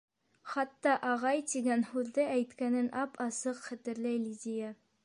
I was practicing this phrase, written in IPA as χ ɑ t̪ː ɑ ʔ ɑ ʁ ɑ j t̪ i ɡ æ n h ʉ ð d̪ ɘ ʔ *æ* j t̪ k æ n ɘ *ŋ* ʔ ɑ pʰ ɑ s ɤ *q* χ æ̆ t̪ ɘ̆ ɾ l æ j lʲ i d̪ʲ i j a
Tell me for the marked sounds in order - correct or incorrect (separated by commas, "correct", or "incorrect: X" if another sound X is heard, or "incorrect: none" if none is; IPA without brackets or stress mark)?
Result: correct, incorrect: n, correct